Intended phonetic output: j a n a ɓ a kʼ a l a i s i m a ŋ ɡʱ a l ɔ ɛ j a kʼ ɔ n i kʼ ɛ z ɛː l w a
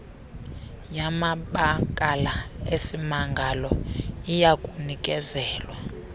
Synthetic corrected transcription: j a m a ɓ a kʼ a l a e s i m a ŋ ɡʱ a l ɔ i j a kʼ u n i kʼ ɛ z ɛː l w a